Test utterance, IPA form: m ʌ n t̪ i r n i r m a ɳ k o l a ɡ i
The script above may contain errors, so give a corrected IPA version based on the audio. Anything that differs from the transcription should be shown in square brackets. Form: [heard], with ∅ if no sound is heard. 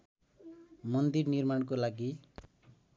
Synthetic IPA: m ʌ n [d̪] i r n i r m a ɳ k o l a ɡ i

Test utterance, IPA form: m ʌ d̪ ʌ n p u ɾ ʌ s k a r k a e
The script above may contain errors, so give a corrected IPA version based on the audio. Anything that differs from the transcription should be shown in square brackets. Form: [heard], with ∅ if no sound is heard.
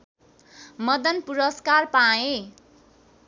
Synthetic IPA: m ʌ d̪ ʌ n p u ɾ ʌ s k a r [p] a e

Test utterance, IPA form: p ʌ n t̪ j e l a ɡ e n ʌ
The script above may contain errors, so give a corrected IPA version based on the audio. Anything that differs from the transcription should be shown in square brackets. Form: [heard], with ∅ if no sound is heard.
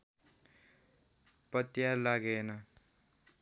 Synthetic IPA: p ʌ [∅] t̪ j [a] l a ɡ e n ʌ

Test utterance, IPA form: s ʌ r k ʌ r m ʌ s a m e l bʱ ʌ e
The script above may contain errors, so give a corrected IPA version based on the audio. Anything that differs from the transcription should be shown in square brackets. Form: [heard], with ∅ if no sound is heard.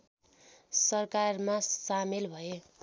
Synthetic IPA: s ʌ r k [a] r m [a] s a m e l bʱ ʌ e

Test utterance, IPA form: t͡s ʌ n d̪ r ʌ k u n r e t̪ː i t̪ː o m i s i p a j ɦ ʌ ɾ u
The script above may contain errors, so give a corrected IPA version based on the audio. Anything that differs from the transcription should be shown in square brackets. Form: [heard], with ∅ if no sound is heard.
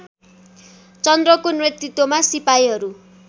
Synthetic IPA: t͡s ʌ n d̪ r ʌ k [o] n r e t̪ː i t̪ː o m [a] s i p a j ɦ ʌ ɾ u

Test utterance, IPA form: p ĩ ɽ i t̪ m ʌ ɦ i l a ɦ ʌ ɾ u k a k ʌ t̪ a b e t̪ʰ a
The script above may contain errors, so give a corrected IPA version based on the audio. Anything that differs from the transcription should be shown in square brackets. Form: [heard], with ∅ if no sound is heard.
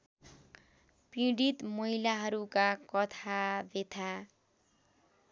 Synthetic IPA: p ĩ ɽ i t̪ m ʌ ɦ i l a ɦ ʌ ɾ u k a k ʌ [t̪ʰ] a b e t̪ʰ a

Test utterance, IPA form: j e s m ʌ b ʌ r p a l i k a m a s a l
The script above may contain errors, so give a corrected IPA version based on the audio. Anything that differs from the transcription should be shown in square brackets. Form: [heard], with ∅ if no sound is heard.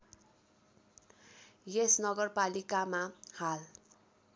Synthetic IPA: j e s [n] ʌ [ɡ] ʌ r p a l i k a m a [h] a l

